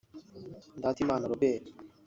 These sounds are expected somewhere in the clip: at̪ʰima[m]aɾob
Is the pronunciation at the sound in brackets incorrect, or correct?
incorrect